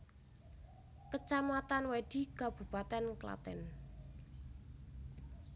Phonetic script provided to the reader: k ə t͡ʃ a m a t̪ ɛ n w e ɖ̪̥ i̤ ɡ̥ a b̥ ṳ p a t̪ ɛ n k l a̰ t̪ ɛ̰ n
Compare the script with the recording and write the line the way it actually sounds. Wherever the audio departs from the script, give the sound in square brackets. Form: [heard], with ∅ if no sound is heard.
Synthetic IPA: k ə t͡ʃ a m a t̪ [a] n w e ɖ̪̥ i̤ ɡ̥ a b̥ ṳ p a t̪ ɛ n k l a̰ t̪ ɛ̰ n